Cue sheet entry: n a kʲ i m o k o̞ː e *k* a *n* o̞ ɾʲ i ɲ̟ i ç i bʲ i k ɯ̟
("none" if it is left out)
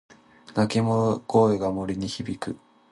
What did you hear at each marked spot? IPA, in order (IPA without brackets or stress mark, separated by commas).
ɡ, m